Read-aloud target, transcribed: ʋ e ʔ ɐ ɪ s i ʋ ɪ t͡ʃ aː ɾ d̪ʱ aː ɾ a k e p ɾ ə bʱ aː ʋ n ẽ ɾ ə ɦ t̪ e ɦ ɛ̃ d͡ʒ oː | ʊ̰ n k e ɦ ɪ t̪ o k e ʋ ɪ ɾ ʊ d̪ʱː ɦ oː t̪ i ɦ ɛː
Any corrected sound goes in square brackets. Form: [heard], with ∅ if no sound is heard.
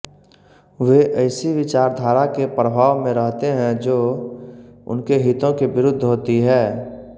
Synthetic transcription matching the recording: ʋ e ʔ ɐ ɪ s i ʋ ɪ t͡ʃ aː ɾ d̪ʱ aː ɾ a k e p ɾ ə bʱ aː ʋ [m] ẽ ɾ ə ɦ t̪ e ɦ ɛ̃ d͡ʒ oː | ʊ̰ n k e ɦ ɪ t̪ [õ] k e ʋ ɪ ɾ ʊ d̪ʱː ɦ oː t̪ i ɦ ɛː